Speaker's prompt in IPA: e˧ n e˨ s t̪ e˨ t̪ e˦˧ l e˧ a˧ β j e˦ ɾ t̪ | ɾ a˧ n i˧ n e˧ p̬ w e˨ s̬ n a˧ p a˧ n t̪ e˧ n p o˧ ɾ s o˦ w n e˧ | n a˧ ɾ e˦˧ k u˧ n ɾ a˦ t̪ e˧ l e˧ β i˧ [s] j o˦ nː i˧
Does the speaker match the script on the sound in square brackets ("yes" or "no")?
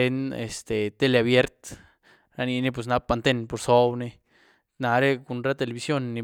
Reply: yes